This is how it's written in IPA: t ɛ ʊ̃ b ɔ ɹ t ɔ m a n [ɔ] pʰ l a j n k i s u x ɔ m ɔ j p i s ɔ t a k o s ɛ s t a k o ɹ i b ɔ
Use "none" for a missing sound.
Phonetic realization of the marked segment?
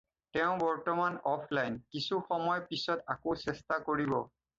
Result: ɔ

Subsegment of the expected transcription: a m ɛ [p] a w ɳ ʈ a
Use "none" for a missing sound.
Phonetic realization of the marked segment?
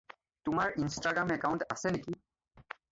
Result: k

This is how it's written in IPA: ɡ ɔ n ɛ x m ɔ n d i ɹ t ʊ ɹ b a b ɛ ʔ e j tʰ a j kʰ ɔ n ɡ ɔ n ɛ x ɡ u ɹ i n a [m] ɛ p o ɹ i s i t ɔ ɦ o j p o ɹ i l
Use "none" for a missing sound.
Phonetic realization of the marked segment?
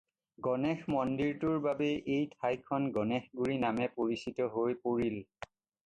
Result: m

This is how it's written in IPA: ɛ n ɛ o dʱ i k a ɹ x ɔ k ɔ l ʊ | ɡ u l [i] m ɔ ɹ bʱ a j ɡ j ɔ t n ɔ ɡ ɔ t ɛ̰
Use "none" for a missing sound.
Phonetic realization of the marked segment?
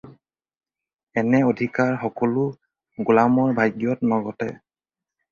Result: a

